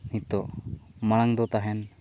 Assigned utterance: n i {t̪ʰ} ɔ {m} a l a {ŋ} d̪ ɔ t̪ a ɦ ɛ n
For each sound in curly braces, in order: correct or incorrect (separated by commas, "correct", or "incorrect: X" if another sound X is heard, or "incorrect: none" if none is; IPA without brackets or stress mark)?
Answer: incorrect: t̪, correct, correct